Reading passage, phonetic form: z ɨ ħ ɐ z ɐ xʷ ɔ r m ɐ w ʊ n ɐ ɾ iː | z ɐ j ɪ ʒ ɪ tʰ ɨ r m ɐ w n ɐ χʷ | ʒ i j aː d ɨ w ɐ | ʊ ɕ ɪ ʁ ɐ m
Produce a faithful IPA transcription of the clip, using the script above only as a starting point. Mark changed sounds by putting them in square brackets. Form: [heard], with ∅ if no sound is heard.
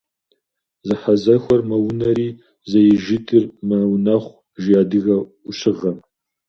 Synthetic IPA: z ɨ ħ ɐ z ɐ xʷ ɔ r m ɐ w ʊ n ɐ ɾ iː | z ɐ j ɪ ʒ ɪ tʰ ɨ r m ɐ w n ɐ χʷ | ʒ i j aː d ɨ [ɣ] ɐ | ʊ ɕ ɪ ʁ ɐ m

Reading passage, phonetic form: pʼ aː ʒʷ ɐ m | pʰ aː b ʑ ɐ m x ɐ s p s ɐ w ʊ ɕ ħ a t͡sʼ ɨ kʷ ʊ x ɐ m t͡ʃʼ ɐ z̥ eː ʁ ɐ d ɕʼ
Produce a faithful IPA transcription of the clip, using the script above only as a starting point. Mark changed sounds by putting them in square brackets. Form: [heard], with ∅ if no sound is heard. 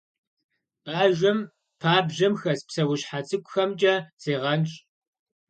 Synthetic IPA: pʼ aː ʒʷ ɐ m | pʰ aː b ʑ ɐ m x ɐ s p s ɐ w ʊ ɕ ħ a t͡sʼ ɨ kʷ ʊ x ɐ m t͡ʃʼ ɐ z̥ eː ʁ ɐ [n] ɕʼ

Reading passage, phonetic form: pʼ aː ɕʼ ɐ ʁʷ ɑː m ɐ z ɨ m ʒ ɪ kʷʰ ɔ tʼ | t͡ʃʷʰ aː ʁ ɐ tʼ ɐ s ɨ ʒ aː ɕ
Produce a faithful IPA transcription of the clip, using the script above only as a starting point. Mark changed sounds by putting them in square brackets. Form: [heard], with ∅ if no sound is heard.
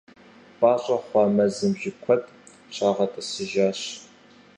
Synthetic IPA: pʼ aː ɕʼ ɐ [χʷ] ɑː m ɐ z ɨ m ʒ ɪ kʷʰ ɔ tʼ | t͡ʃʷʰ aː ʁ ɐ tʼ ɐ s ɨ ʒ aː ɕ

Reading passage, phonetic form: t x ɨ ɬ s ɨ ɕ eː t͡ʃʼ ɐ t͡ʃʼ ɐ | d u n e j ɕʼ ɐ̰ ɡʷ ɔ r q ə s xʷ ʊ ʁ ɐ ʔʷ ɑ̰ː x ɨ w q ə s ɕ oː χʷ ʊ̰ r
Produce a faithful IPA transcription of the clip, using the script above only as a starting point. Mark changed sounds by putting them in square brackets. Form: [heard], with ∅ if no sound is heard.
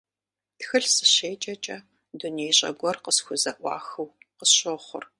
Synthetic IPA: t x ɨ ɬ s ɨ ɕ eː t͡ʃʼ ɐ t͡ʃʼ ɐ | d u n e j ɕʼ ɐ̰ ɡʷ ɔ r q ə s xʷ ʊ [z] ɐ ʔʷ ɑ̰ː x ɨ w q ə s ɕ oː χʷ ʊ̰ r

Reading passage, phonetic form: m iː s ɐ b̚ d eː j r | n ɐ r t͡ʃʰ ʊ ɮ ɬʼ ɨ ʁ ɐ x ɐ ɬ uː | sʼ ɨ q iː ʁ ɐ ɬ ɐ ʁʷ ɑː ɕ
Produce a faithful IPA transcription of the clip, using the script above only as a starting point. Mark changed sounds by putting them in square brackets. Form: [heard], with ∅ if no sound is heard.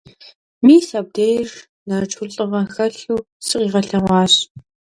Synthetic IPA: m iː s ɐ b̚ d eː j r | n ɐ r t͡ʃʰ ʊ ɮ ɬʼ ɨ ʁ ɐ x ɐ ɬ uː | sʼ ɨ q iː ʁ ɐ ɬ ɐ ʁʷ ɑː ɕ

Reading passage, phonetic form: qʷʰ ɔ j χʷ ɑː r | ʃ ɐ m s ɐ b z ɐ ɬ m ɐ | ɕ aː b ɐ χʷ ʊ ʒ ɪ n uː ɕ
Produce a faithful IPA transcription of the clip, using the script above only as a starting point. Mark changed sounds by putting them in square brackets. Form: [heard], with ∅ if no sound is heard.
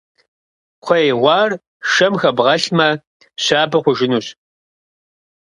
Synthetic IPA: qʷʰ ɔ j [ʁʷ] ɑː r | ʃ ɐ m [x] ɐ b [ʁ] ɐ ɬ m ɐ | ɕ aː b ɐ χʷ ʊ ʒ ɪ n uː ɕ

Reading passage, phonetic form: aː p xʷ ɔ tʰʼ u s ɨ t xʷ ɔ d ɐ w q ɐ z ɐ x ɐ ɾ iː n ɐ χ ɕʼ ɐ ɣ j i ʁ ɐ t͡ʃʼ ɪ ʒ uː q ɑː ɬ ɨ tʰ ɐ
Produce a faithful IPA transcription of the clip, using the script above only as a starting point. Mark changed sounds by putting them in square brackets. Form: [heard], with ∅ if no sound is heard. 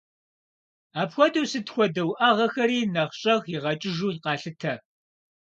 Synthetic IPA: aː p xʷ ɔ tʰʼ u s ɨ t xʷ ɔ d ɐ w [ʔ] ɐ [ʁ] ɐ x ɐ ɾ iː n ɐ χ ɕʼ ɐ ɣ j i ʁ ɐ t͡ʃʼ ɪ ʒ uː q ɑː ɬ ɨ tʰ ɐ

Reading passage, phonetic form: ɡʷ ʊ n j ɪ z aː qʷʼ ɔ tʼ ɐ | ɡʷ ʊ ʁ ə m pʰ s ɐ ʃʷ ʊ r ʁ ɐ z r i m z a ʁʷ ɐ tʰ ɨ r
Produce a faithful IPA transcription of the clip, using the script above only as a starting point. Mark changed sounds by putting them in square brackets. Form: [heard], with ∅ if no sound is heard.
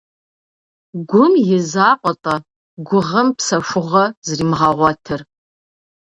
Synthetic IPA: ɡʷ ʊ [m] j ɪ z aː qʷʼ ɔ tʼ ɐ | ɡʷ ʊ ʁ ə m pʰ s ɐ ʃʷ ʊ [∅] ʁ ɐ z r i m [ʁ] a ʁʷ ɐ tʰ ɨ r

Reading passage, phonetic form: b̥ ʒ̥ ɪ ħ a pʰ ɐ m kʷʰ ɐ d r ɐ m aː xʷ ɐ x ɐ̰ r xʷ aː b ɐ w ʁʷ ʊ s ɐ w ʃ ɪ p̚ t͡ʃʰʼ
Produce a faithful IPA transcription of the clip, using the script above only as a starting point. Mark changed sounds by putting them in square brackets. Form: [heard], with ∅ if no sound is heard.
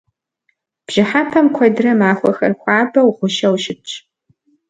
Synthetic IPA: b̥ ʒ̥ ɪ ħ a pʰ ɐ m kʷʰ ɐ d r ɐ m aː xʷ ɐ x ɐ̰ r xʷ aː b ɐ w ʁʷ ʊ [ʃ] ɐ w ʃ ɪ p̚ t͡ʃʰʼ

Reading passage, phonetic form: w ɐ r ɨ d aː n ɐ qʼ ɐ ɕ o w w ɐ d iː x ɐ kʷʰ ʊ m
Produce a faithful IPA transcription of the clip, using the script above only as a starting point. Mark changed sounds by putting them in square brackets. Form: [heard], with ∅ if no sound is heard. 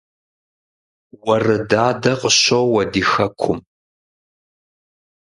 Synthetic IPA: w ɐ r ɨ d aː [d] ɐ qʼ [ə] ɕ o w w ɐ d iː x ɐ kʷʰ ʊ m

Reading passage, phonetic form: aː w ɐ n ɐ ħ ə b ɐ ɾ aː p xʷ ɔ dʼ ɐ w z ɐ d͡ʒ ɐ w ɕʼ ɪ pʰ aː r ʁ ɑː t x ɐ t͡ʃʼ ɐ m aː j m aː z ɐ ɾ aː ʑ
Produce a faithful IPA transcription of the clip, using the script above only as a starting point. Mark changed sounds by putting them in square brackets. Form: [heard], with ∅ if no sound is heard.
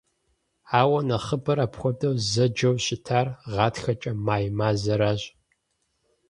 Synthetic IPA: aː w ɐ n ɐ [χ] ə b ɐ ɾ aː p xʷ ɔ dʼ ɐ w z ɐ d͡ʒ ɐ w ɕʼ ɪ [tʰ] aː r ʁ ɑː t x ɐ t͡ʃʼ ɐ m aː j m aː z ɐ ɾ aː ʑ

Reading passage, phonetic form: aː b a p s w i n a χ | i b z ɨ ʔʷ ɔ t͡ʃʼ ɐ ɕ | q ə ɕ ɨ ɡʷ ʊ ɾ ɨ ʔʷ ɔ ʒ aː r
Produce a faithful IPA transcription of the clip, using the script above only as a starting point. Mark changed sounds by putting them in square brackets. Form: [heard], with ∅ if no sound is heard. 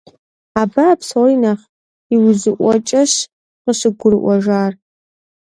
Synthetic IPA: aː b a p s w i n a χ | i [w] z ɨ ʔʷ ɔ t͡ʃʼ ɐ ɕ | q ə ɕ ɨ ɡʷ ʊ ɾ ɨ ʔʷ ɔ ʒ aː r

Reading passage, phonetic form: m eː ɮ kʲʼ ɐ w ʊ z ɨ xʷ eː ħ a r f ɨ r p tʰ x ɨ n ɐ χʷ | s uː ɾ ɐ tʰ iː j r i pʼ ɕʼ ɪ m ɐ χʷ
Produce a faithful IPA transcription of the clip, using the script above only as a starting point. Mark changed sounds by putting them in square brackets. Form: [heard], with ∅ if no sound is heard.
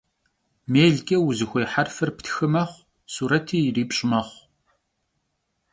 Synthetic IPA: m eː ɮ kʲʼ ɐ w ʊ z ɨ xʷ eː ħ a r f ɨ r p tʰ x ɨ [m] ɐ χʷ | s uː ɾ ɐ tʰ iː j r [iː] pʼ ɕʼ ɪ m ɐ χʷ

